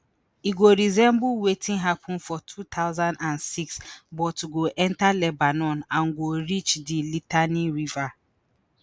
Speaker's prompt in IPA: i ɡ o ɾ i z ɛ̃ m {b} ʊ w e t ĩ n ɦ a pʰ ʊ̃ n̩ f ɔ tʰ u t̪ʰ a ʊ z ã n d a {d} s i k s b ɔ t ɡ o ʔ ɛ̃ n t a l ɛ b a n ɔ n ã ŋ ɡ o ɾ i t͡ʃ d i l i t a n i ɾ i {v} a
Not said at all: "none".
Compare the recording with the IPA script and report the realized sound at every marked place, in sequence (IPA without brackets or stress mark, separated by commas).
b, n, v